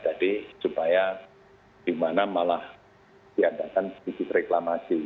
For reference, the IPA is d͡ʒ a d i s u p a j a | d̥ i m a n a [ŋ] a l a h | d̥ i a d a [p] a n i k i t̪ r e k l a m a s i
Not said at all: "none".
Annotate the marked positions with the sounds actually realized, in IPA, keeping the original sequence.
m, k

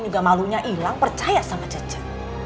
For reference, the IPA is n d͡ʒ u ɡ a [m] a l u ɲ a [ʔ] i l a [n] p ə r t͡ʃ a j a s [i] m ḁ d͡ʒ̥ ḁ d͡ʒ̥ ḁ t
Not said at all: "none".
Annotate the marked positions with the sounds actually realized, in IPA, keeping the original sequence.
m, ʔ, ŋ, a

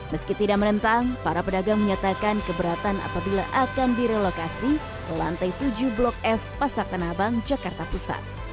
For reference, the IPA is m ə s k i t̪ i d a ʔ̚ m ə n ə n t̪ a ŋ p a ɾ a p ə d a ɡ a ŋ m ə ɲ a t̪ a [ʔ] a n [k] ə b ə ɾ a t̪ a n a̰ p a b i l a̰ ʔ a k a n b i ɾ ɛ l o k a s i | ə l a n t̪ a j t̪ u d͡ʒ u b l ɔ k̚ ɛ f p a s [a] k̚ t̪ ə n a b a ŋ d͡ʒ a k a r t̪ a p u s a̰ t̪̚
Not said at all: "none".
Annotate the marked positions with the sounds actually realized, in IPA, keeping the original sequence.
k, k, a

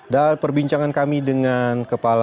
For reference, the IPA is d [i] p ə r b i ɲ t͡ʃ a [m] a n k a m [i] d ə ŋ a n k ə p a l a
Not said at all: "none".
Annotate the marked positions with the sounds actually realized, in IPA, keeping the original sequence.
a, ŋ, i

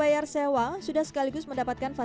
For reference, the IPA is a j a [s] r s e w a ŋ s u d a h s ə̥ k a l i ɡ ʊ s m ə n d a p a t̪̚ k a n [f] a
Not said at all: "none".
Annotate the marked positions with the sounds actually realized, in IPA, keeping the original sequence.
none, f

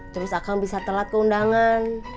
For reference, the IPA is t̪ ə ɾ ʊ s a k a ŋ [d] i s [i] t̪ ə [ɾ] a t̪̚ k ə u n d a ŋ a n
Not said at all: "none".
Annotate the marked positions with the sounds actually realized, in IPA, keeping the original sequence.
b, a, l

